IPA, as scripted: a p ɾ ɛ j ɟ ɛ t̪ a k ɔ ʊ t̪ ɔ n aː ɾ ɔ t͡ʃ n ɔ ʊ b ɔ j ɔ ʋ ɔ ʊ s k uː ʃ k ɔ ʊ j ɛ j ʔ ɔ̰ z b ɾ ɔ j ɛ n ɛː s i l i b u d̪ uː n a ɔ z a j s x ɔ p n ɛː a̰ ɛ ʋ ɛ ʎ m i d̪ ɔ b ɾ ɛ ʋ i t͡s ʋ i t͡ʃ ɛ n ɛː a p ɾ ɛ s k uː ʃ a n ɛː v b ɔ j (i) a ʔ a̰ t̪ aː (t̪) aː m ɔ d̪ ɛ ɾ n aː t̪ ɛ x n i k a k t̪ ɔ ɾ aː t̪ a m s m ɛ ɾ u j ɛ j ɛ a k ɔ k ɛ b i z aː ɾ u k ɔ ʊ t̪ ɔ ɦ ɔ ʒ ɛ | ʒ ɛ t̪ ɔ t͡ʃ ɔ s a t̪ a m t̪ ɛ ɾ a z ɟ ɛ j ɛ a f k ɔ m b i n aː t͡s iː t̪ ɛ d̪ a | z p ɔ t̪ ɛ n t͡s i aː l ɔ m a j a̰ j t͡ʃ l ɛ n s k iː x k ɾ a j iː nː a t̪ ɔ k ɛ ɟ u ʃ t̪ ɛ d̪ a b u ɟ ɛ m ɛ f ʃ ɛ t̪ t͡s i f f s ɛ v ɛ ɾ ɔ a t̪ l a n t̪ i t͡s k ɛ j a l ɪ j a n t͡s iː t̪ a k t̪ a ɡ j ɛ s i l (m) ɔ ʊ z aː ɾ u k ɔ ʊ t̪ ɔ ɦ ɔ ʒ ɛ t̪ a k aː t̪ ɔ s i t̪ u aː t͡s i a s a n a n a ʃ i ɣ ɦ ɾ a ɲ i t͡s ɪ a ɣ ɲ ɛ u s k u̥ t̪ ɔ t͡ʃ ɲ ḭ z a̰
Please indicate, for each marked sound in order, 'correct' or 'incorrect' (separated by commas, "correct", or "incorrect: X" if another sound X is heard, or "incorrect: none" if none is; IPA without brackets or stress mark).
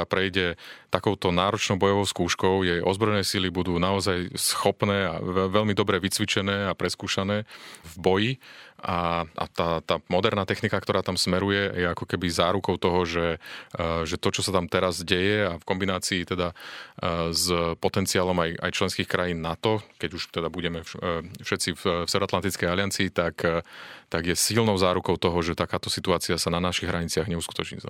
correct, correct, incorrect: n